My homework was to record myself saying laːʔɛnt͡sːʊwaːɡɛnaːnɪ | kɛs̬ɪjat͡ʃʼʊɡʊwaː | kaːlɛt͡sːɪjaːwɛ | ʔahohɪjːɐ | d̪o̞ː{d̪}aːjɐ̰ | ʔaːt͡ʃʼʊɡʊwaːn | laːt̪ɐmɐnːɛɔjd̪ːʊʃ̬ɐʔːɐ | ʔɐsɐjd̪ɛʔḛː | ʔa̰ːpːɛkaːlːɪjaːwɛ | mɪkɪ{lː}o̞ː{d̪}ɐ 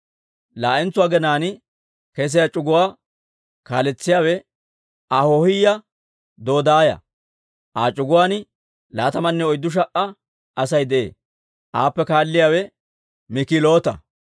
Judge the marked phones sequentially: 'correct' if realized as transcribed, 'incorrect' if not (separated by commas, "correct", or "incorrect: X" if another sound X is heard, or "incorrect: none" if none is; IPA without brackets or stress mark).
correct, incorrect: l, incorrect: t̪